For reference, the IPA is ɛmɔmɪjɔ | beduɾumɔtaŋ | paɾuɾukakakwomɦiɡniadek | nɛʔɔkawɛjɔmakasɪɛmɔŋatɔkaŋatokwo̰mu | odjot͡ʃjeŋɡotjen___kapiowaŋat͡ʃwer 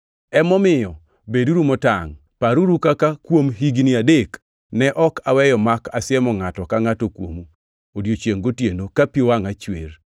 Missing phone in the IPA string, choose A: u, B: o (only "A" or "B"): B